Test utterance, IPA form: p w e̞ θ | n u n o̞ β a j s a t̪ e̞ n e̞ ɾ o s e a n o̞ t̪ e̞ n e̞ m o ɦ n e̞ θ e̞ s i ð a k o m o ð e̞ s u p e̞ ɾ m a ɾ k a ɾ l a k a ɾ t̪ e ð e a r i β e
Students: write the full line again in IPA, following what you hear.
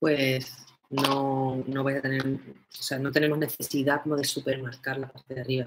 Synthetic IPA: p w e̞ s | n o n o̞ β a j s a t̪ e̞ n e̞ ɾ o s e a n o̞ t̪ e̞ n e̞ m o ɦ n e̞ θ e̞ s i ð a k o m o ð e̞ s u p e̞ ɾ m a ɾ k a ɾ l a p a ɾ t̪ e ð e a r i β a